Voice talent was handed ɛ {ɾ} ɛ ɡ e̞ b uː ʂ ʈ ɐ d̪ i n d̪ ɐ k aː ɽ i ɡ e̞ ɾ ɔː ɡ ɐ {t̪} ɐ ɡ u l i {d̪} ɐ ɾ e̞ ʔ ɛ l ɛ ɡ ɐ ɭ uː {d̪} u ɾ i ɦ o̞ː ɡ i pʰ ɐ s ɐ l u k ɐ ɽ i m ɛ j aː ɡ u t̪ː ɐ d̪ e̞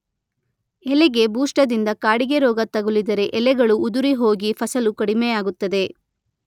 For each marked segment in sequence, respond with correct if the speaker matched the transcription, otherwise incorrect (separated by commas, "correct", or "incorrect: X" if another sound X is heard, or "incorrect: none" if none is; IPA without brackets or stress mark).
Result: incorrect: l, correct, correct, correct